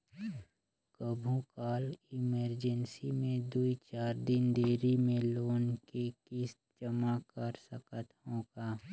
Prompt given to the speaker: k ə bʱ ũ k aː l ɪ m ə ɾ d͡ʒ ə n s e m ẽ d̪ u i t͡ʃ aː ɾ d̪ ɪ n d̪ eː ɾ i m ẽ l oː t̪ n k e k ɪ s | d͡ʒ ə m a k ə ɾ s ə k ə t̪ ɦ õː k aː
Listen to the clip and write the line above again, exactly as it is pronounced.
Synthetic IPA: k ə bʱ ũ k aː l ɪ m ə ɾ d͡ʒ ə n s i m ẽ d̪ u i t͡ʃ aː ɾ d̪ ɪ n d̪ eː ɾ i m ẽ l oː n k e k ɪ s | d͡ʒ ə m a k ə ɾ s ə k ə t̪ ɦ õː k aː